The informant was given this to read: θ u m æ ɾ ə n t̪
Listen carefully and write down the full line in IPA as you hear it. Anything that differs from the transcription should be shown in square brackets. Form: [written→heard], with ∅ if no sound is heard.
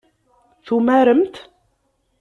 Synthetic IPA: θ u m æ ɾ ə [n→m] t̪